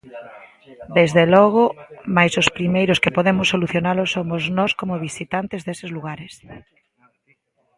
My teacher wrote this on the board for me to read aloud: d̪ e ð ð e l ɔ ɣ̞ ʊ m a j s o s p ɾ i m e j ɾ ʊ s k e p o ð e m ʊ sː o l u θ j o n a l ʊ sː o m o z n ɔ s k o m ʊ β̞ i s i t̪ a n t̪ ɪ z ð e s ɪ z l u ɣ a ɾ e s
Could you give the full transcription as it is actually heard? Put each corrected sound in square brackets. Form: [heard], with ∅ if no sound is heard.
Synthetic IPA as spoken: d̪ e [z] ð e l ɔ ɣ̞ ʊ m a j s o s p ɾ i m e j ɾ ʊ s k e p o ð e m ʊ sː o l u θ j o n a l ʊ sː o m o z n ɔ s k o m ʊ β̞ i s i t̪ a n t̪ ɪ z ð e s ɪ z l u ɣ a ɾ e s